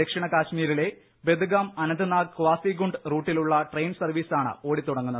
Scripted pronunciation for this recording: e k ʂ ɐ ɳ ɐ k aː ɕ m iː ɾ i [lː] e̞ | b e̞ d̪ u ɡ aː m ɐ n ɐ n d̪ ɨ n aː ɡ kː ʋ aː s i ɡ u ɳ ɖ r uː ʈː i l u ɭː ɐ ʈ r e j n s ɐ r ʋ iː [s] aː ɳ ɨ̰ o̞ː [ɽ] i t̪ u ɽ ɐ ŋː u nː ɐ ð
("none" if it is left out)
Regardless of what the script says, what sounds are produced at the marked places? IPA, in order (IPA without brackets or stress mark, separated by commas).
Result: l, s, ɽ